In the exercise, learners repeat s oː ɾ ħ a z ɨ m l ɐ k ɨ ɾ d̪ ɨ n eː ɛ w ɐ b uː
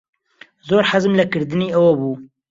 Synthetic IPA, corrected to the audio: z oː ɾ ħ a z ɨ m l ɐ k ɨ ɾ d̪ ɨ n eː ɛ w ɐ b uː